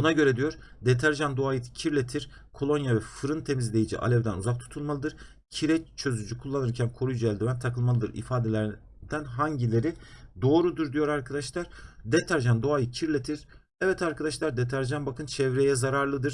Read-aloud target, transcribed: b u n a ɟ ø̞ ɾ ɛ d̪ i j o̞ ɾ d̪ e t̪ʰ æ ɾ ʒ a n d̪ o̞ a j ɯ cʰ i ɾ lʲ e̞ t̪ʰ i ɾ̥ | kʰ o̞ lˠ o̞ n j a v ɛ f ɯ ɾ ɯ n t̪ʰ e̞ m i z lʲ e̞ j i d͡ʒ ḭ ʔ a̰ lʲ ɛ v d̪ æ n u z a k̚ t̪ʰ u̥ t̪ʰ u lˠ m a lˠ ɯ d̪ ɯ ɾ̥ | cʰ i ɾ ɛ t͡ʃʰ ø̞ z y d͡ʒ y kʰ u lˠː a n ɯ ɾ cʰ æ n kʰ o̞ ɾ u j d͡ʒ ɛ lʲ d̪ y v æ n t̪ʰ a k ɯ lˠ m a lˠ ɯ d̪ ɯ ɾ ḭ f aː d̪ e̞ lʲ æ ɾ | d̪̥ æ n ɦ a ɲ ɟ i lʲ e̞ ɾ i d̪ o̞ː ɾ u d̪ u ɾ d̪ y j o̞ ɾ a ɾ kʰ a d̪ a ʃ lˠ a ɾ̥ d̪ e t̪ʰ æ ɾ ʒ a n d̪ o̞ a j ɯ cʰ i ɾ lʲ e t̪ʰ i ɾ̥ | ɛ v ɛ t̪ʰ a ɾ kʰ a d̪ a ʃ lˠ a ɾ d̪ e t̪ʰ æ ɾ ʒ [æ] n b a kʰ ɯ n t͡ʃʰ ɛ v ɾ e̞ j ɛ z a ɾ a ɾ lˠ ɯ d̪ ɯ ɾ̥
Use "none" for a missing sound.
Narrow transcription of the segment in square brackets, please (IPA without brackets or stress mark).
a